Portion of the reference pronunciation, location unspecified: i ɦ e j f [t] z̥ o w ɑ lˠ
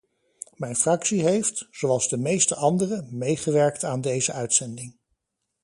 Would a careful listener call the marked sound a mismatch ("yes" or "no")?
no